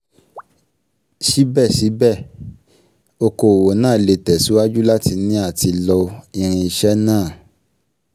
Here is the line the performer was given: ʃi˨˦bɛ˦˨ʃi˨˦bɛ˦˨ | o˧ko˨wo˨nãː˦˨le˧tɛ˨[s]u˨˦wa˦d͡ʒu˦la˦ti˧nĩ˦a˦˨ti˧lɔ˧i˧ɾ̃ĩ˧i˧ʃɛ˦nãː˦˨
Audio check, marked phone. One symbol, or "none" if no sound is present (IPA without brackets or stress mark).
s